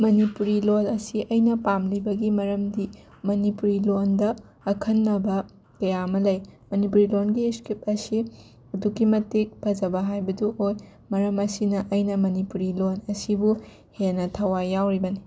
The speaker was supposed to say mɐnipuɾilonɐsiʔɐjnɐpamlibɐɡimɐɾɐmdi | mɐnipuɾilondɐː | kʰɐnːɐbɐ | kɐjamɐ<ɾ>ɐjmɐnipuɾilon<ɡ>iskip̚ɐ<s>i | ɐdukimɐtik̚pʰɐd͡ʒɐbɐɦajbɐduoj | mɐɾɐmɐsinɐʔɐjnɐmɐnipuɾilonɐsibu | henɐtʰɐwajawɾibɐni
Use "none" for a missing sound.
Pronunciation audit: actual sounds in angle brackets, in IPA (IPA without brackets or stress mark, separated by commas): l, ɡ, s